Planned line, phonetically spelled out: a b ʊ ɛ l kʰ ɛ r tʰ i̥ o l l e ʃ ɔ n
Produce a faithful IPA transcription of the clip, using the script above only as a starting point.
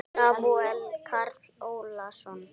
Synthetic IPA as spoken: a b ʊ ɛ l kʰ a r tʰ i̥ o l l a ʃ ɔ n